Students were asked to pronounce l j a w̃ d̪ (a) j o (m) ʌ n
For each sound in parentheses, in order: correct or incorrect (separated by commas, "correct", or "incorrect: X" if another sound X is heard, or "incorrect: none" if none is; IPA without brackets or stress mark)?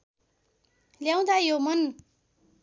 correct, correct